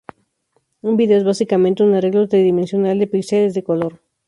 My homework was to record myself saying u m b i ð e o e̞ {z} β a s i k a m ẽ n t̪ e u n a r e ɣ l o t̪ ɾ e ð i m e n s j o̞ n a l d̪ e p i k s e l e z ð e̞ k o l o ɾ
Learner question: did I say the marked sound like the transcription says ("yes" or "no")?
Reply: yes